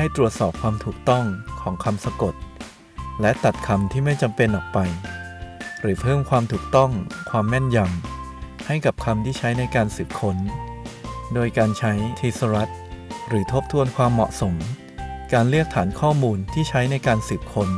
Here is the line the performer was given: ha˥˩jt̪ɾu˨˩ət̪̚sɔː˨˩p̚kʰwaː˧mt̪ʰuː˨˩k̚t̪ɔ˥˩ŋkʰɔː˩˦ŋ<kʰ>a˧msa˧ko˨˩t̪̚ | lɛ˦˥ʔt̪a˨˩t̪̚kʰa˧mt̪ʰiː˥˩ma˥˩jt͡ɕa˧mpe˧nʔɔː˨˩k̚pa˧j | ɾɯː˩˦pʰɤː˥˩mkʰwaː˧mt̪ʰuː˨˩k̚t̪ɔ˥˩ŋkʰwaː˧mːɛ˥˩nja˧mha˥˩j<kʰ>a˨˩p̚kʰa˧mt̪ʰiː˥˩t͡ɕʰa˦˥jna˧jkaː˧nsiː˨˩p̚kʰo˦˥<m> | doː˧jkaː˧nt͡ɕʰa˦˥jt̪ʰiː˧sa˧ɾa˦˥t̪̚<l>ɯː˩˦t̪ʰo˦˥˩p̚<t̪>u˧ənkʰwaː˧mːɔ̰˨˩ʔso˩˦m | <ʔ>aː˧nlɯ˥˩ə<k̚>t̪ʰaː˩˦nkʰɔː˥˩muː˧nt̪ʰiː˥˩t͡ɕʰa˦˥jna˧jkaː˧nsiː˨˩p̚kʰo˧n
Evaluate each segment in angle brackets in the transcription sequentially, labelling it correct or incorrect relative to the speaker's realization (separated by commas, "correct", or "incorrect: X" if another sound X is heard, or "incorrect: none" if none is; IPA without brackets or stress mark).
correct, incorrect: k, incorrect: n, incorrect: ɾ, incorrect: t̪ʰ, incorrect: k, correct